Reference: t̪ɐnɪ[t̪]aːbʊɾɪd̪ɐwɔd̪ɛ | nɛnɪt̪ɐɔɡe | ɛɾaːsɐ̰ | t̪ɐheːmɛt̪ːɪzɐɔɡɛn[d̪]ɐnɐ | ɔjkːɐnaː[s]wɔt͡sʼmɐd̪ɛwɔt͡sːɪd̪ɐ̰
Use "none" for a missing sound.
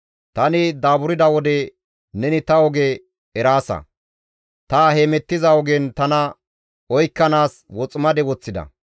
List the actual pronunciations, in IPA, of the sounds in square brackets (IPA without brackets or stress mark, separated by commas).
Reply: d̪, t̪, s